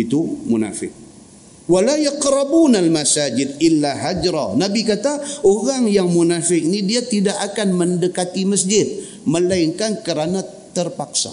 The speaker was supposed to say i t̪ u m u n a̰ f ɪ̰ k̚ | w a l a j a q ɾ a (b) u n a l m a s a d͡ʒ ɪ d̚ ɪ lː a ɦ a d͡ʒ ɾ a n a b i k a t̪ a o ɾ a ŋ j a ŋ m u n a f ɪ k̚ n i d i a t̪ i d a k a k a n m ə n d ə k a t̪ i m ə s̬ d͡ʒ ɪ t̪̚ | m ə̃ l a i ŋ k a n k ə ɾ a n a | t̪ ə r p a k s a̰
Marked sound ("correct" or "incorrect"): correct